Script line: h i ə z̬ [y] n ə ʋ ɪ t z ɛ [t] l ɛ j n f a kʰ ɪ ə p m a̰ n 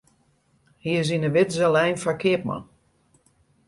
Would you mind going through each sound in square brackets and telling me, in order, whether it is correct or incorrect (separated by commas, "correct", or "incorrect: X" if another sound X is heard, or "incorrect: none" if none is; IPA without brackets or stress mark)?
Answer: incorrect: i, incorrect: none